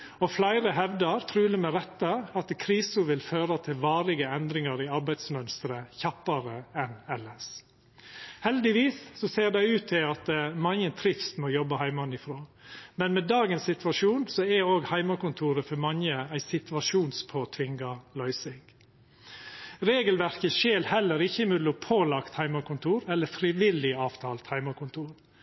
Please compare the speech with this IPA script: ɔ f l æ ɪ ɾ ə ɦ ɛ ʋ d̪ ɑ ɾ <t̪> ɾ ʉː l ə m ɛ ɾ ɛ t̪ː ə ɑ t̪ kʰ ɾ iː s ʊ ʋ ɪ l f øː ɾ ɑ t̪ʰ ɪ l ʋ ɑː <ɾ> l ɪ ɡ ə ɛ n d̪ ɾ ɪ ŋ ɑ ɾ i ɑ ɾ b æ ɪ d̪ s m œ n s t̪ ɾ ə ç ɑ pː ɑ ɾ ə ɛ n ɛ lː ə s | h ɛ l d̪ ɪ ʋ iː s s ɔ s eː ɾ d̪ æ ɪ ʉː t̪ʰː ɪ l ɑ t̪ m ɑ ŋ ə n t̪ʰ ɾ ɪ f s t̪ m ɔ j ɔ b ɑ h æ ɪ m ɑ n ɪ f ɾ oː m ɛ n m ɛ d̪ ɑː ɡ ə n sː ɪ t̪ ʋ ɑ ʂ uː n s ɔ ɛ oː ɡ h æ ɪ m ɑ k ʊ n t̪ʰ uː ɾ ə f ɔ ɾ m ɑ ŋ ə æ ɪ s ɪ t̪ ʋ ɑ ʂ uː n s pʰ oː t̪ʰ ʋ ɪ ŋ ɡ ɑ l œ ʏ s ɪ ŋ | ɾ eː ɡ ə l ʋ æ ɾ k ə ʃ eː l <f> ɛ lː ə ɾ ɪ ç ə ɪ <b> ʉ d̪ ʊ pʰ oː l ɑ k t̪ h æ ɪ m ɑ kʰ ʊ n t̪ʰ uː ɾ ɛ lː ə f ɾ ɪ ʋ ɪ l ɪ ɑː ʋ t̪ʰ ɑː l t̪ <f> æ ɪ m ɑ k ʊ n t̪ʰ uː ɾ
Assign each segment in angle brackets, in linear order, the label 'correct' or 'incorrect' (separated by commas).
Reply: incorrect, correct, incorrect, incorrect, incorrect